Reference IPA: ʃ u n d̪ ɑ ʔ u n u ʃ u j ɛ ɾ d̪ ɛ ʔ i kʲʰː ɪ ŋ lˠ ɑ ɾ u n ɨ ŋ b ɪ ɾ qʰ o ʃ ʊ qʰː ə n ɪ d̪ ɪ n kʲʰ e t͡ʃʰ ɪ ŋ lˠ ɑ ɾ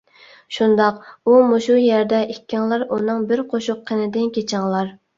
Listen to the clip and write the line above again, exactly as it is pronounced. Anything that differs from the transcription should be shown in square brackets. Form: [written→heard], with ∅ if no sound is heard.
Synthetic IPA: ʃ u n d̪ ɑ [ʔ→q] u [n→m] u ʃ u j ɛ ɾ d̪ ɛ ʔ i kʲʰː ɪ ŋ lˠ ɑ ɾ u n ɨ ŋ b ɪ ɾ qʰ o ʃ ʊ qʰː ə n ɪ d̪ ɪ n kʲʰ e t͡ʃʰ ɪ ŋ lˠ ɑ ɾ